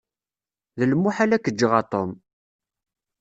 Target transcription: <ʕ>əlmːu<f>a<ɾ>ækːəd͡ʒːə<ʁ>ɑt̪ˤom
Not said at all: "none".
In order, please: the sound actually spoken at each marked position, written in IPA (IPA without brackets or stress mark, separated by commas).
ð, ħ, l, ʁ